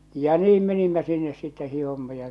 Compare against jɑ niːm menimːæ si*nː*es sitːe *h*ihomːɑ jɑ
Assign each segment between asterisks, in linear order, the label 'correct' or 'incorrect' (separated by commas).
correct, correct